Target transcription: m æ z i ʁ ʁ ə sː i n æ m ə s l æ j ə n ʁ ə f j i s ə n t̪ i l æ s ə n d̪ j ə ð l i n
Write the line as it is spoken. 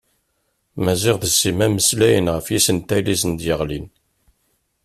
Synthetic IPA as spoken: m æ z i ʁ ð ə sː i m æ m ə s l æ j ə n ʁ ə f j i s ə n t̪ æ l i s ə n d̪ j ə ʁ l i n